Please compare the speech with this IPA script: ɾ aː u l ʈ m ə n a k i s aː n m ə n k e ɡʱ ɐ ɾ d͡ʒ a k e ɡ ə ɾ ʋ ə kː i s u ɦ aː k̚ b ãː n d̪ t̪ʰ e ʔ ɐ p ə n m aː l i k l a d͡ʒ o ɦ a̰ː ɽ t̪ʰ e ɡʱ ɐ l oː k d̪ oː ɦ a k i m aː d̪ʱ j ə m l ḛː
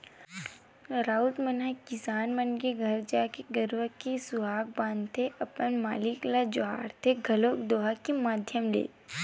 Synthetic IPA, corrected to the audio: ɾ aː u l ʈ m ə n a k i s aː n m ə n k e ɡʱ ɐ ɾ d͡ʒ a k e ɡ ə ɾ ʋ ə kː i s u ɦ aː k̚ b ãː n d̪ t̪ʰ e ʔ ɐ p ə n m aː l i k l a d͡ʒ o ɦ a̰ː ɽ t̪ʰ e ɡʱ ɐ l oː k d̪ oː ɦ a k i m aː d̪ʱ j ə m l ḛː